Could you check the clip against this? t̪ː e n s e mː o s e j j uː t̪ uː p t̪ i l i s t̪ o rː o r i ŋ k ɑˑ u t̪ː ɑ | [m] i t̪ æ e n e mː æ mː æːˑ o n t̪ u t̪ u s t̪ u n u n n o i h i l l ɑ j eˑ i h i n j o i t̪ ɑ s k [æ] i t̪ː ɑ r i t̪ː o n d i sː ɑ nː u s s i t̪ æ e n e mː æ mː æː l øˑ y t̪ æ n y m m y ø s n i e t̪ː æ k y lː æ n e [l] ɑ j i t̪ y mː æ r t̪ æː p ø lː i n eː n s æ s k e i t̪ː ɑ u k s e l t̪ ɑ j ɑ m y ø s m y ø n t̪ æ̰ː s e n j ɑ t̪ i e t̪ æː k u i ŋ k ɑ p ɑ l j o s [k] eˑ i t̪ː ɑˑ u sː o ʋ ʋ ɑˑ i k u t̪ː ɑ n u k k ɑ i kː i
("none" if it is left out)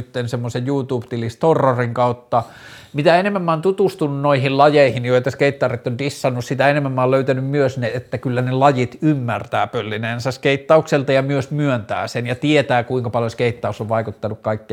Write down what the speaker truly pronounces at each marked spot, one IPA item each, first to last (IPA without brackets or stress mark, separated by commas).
m, e, l, k